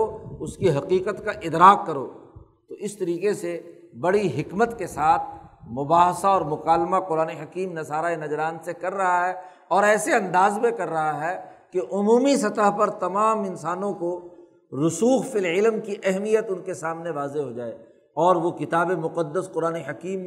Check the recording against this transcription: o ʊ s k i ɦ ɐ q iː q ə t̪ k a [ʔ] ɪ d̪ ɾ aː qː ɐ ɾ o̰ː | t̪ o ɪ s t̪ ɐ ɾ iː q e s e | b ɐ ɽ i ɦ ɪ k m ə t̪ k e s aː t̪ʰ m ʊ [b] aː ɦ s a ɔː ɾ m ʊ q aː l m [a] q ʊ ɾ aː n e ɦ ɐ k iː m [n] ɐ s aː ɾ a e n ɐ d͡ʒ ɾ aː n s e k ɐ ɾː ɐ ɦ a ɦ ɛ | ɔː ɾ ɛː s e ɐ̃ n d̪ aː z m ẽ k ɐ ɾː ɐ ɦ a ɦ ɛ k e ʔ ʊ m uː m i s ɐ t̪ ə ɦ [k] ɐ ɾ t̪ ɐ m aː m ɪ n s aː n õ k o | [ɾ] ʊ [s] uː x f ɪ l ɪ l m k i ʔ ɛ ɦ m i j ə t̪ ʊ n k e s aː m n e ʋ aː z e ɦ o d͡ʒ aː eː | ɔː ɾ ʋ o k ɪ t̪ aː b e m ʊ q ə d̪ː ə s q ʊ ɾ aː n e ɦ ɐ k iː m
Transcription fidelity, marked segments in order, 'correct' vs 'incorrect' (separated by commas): correct, correct, correct, correct, incorrect, correct, correct